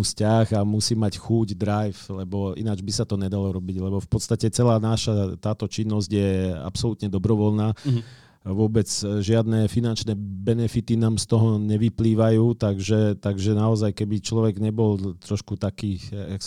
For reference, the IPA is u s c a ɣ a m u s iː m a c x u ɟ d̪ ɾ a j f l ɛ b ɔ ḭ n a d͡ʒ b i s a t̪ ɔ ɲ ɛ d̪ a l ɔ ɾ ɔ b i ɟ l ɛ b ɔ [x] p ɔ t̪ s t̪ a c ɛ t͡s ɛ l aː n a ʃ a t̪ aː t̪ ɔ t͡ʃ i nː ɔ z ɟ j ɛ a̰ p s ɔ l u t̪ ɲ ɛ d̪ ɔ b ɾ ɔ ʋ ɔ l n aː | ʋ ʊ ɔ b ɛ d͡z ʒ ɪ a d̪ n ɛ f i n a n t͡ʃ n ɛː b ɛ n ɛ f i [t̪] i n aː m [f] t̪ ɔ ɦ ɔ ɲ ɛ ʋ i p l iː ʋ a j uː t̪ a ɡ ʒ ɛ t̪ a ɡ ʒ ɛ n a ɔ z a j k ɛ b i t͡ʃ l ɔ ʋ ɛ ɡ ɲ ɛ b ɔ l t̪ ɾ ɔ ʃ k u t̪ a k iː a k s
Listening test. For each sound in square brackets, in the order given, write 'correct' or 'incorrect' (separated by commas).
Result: incorrect, correct, incorrect